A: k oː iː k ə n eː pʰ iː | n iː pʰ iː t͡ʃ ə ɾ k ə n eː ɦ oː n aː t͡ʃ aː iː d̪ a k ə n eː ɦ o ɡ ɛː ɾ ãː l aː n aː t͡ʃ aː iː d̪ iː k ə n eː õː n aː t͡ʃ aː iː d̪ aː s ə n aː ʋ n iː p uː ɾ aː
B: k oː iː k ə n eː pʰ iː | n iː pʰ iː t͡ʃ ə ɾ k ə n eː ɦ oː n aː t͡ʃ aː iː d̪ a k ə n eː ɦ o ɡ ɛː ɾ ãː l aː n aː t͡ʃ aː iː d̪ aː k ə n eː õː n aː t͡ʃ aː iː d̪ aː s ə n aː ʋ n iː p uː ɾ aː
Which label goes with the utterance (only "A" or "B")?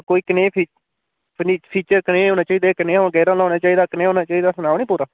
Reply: B